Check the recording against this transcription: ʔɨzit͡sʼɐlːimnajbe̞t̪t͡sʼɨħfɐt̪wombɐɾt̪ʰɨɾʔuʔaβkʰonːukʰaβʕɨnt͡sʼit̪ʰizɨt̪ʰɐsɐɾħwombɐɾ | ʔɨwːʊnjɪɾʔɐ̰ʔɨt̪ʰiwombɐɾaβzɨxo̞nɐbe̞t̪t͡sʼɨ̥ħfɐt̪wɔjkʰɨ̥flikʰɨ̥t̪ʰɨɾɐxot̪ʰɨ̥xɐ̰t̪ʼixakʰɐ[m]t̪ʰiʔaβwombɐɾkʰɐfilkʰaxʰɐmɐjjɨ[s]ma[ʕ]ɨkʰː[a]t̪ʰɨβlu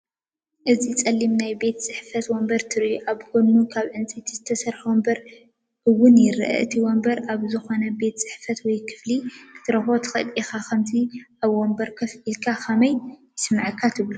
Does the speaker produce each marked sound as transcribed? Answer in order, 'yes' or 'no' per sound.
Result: yes, yes, yes, yes

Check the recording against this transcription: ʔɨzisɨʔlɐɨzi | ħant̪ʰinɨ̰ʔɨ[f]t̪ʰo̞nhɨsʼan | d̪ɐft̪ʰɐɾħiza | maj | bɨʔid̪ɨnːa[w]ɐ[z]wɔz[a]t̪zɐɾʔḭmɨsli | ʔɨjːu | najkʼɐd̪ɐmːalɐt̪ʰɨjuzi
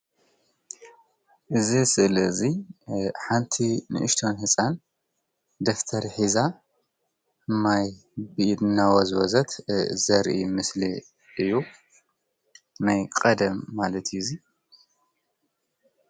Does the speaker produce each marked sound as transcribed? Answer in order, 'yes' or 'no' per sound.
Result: no, yes, yes, no

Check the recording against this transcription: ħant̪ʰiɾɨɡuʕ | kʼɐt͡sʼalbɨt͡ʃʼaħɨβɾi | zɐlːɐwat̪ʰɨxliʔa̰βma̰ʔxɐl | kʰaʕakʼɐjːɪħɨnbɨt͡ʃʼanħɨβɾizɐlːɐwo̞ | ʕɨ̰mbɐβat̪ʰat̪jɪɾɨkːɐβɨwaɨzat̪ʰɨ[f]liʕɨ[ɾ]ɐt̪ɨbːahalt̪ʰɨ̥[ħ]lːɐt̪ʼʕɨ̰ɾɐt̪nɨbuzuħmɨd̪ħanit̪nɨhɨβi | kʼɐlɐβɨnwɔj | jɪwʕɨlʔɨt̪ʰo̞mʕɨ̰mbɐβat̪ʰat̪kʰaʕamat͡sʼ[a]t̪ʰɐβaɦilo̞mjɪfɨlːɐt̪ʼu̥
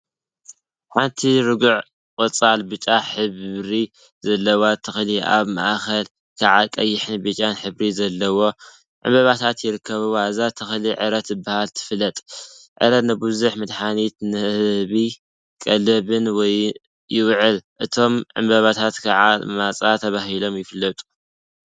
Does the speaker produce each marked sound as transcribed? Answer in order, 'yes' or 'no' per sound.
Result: no, yes, no, yes

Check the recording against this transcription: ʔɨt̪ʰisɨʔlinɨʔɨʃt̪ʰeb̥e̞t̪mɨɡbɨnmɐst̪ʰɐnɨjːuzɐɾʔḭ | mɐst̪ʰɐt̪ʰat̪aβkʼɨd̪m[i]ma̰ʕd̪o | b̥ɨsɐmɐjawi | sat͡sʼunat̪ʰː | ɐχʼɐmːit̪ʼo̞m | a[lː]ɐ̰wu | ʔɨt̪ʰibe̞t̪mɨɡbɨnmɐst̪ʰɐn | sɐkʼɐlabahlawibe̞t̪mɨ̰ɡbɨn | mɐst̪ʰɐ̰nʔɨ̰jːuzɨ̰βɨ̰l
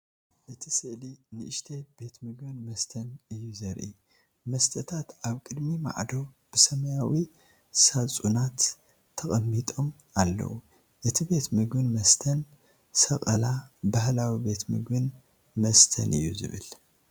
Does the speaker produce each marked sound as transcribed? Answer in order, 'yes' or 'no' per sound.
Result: yes, yes

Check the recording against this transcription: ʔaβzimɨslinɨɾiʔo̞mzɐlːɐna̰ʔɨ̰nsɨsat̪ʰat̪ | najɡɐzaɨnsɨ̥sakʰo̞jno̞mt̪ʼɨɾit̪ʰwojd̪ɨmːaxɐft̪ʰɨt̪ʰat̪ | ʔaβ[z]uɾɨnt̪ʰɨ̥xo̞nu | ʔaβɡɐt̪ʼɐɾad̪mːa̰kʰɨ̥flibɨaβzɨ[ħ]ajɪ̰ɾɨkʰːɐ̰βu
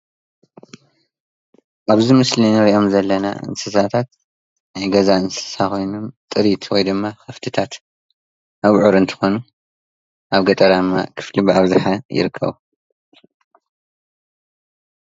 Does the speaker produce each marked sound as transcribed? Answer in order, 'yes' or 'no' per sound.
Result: no, yes

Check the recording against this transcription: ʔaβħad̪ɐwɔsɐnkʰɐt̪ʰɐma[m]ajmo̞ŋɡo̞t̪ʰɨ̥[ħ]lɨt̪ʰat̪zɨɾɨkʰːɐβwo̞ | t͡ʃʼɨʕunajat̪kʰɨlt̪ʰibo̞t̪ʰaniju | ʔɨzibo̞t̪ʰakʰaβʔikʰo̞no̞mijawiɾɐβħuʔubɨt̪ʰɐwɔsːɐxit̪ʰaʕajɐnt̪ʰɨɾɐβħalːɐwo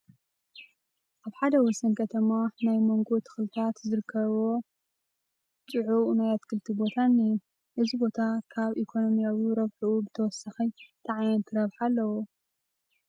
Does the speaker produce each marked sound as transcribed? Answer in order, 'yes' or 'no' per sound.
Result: no, no

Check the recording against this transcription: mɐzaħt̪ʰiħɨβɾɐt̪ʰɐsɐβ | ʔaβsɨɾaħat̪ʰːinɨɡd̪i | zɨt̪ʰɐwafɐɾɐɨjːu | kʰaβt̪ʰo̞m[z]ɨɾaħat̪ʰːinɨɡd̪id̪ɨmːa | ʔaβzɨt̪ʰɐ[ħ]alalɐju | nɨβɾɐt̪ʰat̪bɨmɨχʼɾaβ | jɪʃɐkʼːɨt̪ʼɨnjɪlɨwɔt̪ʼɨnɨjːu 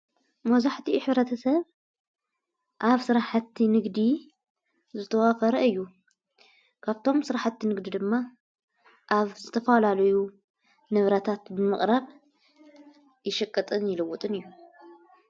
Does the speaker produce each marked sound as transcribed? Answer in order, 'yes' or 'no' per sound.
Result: no, no

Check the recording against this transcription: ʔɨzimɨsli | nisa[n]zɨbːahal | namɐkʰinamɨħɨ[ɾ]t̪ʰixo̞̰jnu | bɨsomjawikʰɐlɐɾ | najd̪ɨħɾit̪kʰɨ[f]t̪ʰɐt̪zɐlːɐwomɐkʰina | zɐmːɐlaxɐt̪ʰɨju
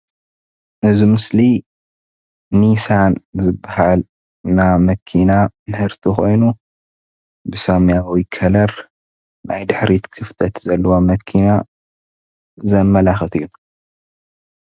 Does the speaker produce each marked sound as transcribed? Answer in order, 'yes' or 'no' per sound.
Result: yes, yes, yes

